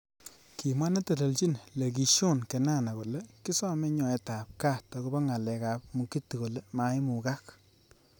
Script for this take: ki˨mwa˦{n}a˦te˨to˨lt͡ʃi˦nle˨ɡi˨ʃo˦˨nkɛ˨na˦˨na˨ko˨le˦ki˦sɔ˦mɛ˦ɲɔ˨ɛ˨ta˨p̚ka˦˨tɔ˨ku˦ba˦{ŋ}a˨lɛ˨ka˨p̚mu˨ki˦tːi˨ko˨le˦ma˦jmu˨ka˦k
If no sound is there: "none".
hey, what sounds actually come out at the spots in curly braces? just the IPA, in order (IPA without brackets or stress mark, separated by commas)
n, ŋ